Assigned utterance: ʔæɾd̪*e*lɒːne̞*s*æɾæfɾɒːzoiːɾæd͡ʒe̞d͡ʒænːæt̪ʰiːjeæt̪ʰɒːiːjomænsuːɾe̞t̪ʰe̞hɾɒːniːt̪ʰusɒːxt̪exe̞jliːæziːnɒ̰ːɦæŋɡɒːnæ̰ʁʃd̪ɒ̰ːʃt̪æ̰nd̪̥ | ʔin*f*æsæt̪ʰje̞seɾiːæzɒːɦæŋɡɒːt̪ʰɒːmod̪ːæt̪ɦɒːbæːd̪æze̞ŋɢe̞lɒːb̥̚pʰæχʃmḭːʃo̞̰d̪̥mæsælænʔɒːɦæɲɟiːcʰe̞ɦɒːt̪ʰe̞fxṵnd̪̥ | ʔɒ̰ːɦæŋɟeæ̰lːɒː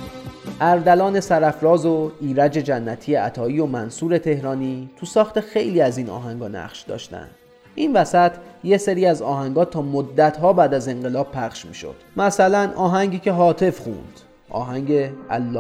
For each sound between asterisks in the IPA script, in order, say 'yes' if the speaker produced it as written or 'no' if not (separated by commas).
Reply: no, yes, no